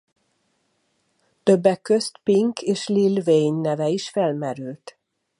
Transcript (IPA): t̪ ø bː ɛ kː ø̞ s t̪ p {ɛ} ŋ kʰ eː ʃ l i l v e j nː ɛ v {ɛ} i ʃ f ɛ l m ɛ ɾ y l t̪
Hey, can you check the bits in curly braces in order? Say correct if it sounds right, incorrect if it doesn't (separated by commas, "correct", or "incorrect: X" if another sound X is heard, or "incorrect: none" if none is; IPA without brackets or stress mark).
incorrect: i, correct